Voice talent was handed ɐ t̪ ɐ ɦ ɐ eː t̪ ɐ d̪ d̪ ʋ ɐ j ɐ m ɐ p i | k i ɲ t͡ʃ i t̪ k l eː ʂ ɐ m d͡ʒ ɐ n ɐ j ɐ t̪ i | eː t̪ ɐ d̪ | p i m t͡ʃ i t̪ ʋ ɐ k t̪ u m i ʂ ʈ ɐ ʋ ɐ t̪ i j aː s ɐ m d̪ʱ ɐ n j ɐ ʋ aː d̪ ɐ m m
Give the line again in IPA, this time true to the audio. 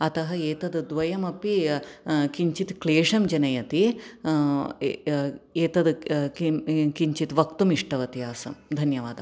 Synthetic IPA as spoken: ɐ t̪ ɐ ɦ ɐ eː t̪ ɐ d̪ d̪ ʋ ɐ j ɐ m ɐ p i | k i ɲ t͡ʃ i t̪ k l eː ʂ ɐ m d͡ʒ ɐ n ɐ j ɐ t̪ i | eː t̪ ɐ d̪ | k i ɲ t͡ʃ i t̪ ʋ ɐ k t̪ u m i ʂ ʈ ɐ ʋ ɐ t̪ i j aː s ɐ m d̪ʱ ɐ n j ɐ ʋ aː d̪ ɐ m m

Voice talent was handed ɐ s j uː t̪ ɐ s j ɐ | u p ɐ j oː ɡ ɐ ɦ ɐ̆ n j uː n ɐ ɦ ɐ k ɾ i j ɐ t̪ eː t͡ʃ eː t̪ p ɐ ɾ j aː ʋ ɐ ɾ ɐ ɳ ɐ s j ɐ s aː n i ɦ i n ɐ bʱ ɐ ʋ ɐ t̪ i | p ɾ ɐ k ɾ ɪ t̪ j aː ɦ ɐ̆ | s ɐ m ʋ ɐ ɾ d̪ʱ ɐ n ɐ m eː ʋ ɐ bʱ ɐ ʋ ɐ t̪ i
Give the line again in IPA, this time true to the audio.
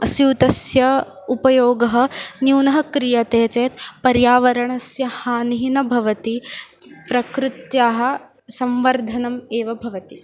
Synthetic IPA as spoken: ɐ s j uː t̪ ɐ s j ɐ | u p ɐ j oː ɡ ɐ ɦ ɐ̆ n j uː n ɐ ɦ ɐ k ɾ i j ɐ t̪ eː t͡ʃ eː t̪ p ɐ ɾ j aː ʋ ɐ ɾ ɐ ɳ ɐ s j ɐ h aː n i ɦ i n ɐ bʱ ɐ ʋ ɐ t̪ i | p ɾ ɐ k ɾ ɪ t̪ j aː ɦ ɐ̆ | s ɐ m ʋ ɐ ɾ d̪ʱ ɐ n ɐ m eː ʋ ɐ bʱ ɐ ʋ ɐ t̪ i

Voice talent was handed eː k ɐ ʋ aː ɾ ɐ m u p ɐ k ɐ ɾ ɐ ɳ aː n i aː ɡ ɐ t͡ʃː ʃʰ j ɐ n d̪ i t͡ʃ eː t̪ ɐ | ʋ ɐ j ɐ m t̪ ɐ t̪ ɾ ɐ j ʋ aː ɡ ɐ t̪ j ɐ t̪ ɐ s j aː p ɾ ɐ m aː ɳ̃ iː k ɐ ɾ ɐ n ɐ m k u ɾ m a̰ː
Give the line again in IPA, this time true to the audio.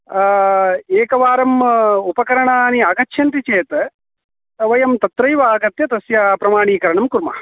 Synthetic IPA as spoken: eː k ɐ ʋ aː ɾ ɐ m u p ɐ k ɐ ɾ ɐ ɳ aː n i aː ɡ ɐ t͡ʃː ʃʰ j ɐ n t̪ i t͡ʃ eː t̪ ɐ | ʋ ɐ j ɐ m t̪ ɐ t̪ ɾ ɐ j ʋ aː ɡ ɐ t̪ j ɐ t̪ ɐ s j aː p ɾ ɐ m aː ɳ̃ iː k ɐ ɾ ɐ ɳ ɐ m k u ɾ m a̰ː

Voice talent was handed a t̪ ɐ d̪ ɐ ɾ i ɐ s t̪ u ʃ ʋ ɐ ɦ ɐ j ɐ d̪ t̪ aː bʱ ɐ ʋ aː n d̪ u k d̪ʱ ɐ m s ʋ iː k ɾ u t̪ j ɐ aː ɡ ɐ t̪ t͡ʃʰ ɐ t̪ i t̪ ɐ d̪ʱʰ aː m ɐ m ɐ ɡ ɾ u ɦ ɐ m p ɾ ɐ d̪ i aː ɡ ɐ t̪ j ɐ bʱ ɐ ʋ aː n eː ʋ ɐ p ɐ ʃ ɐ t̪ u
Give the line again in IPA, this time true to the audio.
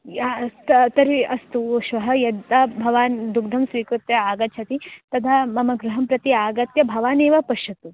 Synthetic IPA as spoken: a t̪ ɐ t̪ ɐ ɾ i ɐ s t̪ u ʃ ʋ ɐ ɦ ɐ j ɐ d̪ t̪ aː bʱ ɐ ʋ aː n d̪ u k d̪ʱ ɐ m s ʋ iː k ɾ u t̪ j ɐ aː ɡ ɐ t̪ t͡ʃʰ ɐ t̪ i t̪ ɐ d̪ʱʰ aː m ɐ m ɐ ɡ ɾ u ɦ ɐ m p ɾ ɐ t̪ i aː ɡ ɐ t̪ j ɐ bʱ ɐ ʋ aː n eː ʋ ɐ p ɐ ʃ ɐ t̪ u

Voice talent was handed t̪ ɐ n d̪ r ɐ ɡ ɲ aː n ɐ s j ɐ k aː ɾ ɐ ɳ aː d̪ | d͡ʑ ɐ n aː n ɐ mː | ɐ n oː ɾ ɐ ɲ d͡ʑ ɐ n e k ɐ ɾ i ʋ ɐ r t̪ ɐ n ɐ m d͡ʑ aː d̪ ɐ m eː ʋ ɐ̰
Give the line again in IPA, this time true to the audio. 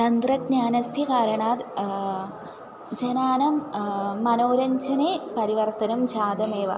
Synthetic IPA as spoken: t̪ ɐ n d̪ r ɐ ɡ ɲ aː n ɐ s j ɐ k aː ɾ ɐ ɳ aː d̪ | d͡ʑ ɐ n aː n ɐ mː | ɐ n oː ɾ ɐ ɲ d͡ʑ ɐ n e p ɐ ɾ i ʋ ɐ r t̪ ɐ n ɐ m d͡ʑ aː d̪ ɐ m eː ʋ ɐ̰

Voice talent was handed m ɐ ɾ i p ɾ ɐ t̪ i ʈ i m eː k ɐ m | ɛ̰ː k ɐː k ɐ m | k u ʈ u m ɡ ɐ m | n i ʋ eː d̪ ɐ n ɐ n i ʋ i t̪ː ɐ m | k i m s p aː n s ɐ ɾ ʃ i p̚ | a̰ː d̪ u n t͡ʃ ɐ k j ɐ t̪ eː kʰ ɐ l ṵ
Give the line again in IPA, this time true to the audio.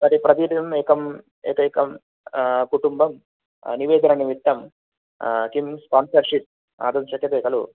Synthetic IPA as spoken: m ɐ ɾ i p ɾ ɐ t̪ i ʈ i m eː k ɐ m | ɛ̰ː k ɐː k ɐ m | k u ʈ u m b ɐ m | n i ʋ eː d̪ ɐ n ɐ n i ʋ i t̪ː ɐ m | k i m s p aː n s ɐ ɾ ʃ i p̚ | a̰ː d̪ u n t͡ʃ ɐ k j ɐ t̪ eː k ɐ l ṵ

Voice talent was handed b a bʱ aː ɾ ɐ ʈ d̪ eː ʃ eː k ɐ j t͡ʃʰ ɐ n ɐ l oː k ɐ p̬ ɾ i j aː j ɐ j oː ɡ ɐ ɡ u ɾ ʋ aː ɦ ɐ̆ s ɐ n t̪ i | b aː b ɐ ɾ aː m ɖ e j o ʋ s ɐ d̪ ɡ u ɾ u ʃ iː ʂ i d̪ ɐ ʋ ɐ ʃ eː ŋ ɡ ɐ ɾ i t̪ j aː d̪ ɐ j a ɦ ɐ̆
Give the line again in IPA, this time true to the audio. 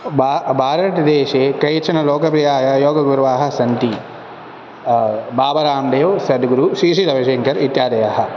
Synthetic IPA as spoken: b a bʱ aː ɾ ɐ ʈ d̪ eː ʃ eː k ɐ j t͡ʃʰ ɐ n ɐ l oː k ɐ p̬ ɾ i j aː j ɐ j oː ɡ ɐ ɡ u ɾ ʋ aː ɦ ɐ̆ s ɐ n t̪ i | b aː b ɐ ɾ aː m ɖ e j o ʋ s ɐ d̪ ɡ u ɾ u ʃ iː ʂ i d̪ ɐ ʋ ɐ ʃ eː ŋ k ɐ ɾ i t̪ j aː d̪ ɐ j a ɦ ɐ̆

